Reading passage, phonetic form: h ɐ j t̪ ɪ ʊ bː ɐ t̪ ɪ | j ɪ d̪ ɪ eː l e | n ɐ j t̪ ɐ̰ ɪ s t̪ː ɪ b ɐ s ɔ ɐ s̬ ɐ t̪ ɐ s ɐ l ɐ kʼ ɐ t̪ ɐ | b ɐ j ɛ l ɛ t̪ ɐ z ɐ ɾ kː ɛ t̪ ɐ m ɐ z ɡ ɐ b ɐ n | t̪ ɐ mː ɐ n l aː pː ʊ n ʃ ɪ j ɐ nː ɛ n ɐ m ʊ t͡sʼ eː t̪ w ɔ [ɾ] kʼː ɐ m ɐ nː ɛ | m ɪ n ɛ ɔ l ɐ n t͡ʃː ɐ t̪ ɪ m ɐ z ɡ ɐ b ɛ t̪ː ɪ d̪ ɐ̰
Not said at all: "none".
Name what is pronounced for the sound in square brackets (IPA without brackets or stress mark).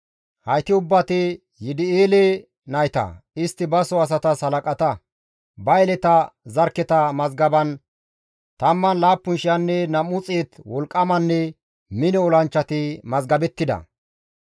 l